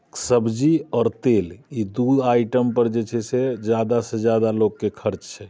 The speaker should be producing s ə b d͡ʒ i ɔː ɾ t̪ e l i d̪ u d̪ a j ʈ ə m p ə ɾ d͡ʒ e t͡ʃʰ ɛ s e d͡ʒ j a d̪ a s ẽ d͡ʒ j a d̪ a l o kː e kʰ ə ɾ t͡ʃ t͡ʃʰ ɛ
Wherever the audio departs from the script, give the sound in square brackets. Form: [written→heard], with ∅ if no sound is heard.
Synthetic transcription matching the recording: s ə b d͡ʒ i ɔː ɾ t̪ e l i d̪ u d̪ a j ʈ ə m p ə ɾ d͡ʒ e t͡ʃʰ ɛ s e d͡ʒ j a d̪ a s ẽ d͡ʒ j a d̪ a l o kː e kʰ ə ɾ t͡ʃ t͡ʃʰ ɛ